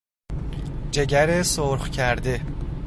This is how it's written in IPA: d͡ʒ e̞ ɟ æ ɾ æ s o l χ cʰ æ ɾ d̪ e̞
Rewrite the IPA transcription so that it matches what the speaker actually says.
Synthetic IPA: d͡ʒ e̞ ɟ æ ɾ e s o ɾ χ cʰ æ ɾ d̪ e̞